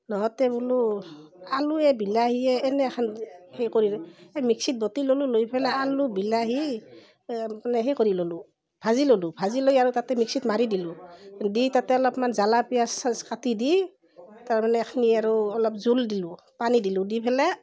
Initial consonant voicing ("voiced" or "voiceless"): voiced